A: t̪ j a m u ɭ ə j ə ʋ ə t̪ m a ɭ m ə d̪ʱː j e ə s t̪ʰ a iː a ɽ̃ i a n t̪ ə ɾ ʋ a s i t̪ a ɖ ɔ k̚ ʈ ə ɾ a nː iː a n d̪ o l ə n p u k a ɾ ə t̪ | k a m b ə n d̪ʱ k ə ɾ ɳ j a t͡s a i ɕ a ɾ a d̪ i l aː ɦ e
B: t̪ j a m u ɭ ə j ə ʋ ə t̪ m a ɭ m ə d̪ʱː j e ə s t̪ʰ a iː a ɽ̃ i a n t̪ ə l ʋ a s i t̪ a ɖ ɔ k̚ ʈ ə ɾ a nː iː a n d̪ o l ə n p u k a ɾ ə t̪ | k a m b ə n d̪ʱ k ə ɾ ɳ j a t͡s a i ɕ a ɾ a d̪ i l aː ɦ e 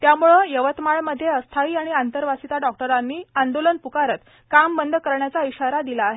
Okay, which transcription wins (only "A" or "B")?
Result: A